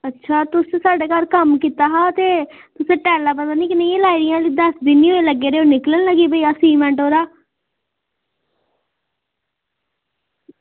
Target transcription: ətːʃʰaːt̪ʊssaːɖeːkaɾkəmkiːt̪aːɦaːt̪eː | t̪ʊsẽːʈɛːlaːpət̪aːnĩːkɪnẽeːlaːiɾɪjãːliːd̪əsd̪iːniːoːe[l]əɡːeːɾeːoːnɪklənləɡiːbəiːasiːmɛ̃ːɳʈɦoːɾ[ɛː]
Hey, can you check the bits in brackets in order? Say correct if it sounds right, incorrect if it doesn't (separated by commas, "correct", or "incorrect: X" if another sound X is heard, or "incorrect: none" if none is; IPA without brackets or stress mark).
correct, incorrect: aː